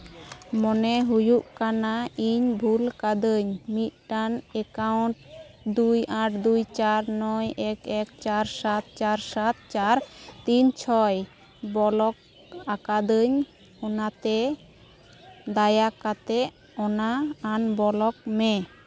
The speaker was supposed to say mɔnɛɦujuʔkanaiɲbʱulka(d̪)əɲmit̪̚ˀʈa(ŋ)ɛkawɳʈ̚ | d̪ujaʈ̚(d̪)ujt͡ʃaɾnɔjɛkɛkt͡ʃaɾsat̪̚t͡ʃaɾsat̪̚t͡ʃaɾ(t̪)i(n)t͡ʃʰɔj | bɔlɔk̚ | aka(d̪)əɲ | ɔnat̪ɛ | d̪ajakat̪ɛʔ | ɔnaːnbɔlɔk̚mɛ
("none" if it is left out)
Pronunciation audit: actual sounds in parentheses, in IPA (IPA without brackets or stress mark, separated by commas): d̪, n, d̪, t̪, ɲ, d̪